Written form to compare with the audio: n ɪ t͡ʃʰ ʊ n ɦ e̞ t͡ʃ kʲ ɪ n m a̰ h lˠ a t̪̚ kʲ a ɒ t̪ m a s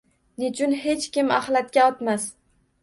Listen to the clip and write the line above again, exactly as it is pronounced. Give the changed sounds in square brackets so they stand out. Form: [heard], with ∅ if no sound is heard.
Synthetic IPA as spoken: n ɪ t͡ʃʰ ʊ n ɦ e̞ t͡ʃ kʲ ɪ [∅] m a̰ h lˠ a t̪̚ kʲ a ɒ t̪ m a s